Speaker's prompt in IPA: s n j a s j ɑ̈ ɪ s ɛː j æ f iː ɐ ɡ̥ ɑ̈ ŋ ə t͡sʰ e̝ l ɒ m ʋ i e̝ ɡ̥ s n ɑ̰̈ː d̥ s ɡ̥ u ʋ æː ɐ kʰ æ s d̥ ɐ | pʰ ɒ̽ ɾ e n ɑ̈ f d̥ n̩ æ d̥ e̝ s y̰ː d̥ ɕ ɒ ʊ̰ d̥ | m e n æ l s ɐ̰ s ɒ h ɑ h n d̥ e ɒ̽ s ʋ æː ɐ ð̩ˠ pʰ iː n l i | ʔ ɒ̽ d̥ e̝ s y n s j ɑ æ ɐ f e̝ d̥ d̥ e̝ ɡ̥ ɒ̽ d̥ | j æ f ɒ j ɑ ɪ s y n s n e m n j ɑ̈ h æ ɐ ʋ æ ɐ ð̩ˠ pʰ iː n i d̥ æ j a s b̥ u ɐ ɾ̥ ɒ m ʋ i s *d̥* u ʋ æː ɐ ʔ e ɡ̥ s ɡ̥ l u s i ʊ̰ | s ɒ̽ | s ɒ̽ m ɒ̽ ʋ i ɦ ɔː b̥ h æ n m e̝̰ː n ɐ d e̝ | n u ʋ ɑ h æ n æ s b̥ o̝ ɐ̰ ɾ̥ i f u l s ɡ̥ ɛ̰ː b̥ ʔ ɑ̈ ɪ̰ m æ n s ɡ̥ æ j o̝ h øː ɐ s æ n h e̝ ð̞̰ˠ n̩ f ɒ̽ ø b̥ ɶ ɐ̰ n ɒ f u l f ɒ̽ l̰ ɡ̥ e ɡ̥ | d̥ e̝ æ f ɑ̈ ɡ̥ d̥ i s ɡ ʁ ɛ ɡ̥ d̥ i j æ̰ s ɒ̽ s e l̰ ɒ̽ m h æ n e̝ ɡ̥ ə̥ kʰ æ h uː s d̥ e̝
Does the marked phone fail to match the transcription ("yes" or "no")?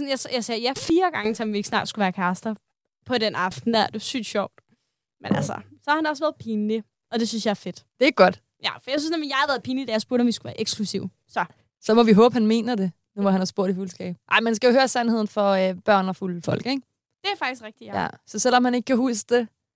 yes